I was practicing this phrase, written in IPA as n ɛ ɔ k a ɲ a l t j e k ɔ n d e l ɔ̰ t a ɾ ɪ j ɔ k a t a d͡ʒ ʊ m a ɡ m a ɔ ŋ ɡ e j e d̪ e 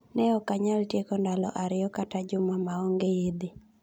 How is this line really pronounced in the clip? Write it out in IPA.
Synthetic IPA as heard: n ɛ ɔ k a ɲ a l t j e k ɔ n d a l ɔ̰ ʔ a ɾ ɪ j ɔ k a t a d͡ʒ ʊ m a m a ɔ ŋ ɡ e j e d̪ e